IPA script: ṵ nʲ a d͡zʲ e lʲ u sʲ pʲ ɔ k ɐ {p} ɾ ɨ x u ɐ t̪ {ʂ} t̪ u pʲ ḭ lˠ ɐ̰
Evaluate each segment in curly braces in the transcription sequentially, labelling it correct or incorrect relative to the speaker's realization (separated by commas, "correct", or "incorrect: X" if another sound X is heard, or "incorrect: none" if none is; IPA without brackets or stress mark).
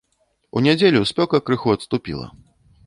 incorrect: k, incorrect: s